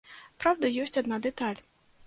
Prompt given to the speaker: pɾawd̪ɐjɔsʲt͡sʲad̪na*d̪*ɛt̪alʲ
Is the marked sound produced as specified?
yes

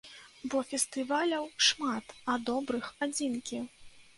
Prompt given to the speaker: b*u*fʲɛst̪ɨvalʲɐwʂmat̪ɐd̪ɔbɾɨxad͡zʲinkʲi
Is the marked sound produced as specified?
no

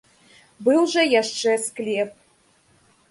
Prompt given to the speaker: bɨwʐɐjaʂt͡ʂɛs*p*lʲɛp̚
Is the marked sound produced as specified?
no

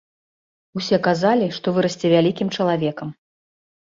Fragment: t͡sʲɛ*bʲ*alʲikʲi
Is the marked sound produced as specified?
no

